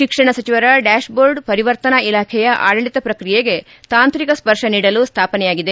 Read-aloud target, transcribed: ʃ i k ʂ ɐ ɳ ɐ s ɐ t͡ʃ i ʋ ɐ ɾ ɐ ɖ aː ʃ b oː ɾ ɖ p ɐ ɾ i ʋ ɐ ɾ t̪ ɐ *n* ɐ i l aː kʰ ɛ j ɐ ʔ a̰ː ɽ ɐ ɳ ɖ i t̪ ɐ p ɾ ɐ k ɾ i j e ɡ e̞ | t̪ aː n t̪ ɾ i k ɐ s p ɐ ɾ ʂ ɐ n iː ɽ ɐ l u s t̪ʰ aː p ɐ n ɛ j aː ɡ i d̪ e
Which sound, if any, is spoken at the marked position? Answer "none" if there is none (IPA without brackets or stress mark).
n